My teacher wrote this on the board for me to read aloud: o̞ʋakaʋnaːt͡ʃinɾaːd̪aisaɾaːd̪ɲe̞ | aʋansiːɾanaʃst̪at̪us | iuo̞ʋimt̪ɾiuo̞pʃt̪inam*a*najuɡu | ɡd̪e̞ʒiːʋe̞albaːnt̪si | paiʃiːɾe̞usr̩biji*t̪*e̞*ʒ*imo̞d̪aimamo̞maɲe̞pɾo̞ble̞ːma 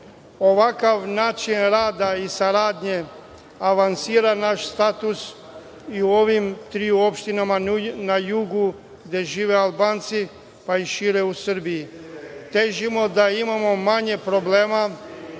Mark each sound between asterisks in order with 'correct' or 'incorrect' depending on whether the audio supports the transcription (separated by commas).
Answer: correct, correct, correct